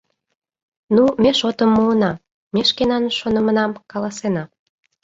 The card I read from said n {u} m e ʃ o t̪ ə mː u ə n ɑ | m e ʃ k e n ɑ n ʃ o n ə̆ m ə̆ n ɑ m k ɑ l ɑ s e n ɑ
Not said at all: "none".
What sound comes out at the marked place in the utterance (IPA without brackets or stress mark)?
u